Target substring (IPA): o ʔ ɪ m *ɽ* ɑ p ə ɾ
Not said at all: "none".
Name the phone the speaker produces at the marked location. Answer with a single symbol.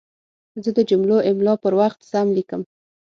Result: l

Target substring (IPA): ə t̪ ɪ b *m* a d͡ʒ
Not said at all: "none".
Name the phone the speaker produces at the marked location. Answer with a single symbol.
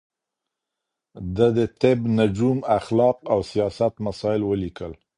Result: n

